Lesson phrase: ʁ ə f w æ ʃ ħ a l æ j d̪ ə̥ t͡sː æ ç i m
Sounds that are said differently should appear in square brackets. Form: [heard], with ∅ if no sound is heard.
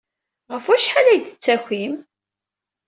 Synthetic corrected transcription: ʁ ə f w æ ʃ ħ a l æ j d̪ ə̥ t͡sː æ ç i m

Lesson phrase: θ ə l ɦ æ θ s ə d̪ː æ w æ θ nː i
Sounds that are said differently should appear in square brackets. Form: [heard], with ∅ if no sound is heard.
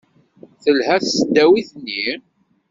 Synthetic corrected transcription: θ ə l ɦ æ θ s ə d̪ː æ w [i] θ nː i

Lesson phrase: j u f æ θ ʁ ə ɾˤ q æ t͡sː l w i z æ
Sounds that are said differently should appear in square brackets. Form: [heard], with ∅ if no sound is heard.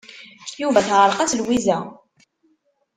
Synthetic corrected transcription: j u [v] æ θ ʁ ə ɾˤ q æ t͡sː l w i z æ

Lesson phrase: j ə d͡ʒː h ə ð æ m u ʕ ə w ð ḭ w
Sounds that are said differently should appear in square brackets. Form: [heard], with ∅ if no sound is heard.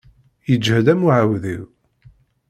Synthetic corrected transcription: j ə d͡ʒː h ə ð æ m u ʕ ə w ð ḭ w

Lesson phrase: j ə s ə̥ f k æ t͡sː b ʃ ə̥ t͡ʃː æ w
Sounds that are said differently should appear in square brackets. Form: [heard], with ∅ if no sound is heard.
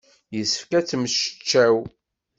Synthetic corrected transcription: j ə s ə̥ f k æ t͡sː [m] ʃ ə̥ t͡ʃː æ w

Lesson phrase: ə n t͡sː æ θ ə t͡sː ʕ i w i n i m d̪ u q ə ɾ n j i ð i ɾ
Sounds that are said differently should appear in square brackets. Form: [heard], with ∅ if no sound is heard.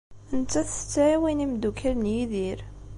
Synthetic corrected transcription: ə n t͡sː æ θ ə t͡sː ʕ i w i n i m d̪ u [k] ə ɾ n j i ð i ɾ

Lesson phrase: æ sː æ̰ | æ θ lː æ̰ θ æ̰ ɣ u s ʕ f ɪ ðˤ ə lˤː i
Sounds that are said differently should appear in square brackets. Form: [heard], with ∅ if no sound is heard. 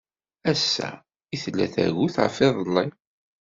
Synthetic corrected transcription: æ sː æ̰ | [i] θ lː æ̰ θ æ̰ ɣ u [θ] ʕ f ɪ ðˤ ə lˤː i

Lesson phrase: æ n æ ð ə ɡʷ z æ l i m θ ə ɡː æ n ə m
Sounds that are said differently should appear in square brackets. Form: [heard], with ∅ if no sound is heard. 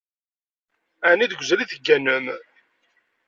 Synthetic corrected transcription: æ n [i] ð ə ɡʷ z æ l i [∅] θ ə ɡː æ n ə m

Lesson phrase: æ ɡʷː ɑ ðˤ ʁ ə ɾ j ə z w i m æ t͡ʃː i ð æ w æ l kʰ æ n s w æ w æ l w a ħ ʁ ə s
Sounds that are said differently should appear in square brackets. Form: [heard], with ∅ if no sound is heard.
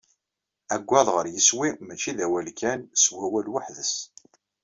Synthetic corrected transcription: æ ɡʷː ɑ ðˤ ʁ ə ɾ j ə [s] w i m æ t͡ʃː i ð æ w æ l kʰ æ n s w æ w æ l w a ħ [ð] ə s

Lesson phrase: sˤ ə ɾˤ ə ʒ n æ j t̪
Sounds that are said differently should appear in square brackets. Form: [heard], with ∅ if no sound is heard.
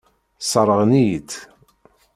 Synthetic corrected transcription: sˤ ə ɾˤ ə [ʁ] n [i] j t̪

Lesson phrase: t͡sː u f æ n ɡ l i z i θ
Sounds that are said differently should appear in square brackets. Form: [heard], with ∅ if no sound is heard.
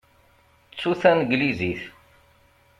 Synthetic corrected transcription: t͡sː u [θ] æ n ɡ l i z i θ

